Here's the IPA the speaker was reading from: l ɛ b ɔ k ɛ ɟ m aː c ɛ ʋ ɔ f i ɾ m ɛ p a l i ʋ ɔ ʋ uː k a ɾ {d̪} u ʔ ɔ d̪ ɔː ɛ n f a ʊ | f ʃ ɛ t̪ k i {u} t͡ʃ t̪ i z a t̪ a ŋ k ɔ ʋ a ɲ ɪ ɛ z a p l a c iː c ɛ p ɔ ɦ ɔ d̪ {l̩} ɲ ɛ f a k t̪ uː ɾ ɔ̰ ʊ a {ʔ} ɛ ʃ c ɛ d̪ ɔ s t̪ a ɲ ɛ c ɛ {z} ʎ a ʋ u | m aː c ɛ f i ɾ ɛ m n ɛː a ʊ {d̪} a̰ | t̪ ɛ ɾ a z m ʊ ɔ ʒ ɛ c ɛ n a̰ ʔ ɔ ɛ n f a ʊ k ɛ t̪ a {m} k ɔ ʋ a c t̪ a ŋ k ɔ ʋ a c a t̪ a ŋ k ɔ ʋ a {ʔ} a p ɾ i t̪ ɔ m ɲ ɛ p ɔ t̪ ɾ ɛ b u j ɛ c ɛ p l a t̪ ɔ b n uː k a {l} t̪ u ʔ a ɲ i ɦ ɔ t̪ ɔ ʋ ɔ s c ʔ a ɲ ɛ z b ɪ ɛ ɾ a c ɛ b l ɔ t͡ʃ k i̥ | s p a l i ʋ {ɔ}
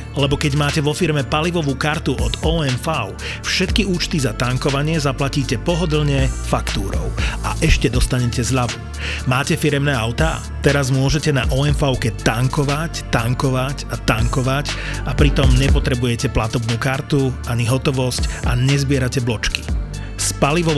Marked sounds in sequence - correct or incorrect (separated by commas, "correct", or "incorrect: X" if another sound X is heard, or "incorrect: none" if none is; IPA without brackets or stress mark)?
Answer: incorrect: t̪, incorrect: uː, correct, correct, correct, incorrect: t̪, incorrect: ŋ, incorrect: c, incorrect: ɾ, correct